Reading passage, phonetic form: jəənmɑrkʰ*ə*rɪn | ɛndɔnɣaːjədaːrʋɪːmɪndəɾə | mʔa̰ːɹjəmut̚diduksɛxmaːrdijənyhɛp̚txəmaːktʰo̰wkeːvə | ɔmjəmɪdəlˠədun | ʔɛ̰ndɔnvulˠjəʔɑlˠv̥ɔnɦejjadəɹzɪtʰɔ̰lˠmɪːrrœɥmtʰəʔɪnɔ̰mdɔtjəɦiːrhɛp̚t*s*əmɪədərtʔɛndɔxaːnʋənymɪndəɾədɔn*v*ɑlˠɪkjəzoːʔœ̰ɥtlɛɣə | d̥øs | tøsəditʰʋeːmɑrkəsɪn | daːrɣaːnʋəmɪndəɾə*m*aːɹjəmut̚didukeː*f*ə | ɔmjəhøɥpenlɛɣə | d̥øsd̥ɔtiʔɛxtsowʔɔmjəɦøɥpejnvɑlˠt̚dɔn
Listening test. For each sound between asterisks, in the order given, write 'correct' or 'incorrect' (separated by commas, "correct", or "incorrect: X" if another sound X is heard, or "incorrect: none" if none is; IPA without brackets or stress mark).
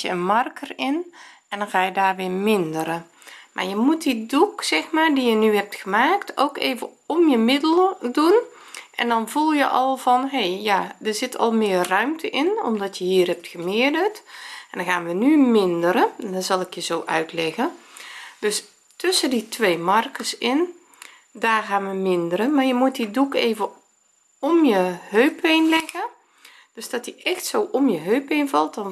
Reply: correct, incorrect: x, incorrect: z, correct, incorrect: v